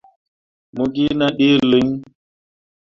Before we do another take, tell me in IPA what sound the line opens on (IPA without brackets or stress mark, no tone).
m